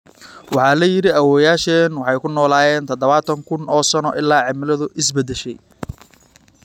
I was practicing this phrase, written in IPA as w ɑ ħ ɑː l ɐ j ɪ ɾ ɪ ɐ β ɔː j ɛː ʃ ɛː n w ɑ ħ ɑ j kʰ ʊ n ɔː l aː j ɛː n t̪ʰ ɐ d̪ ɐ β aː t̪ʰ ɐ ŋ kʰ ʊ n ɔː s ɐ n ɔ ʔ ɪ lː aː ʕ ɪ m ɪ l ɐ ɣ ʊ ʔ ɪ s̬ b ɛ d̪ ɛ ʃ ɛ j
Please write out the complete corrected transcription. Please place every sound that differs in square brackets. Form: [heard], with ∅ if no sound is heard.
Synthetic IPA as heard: w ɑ ħ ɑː l ɐ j ɪ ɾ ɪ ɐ [w] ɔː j [aː] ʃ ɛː n w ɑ ħ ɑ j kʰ ʊ n ɔː l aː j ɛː n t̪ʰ ɐ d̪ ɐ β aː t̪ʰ ɐ ŋ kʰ ʊ n ɔː s ɐ n ɔ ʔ ɪ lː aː ʕ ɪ m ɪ l ɐ [ð] ʊ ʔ ɪ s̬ b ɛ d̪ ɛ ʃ ɛ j